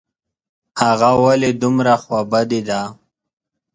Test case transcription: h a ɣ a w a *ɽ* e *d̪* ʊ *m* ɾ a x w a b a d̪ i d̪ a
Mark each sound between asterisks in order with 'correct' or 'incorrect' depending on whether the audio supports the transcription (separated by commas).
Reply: incorrect, correct, correct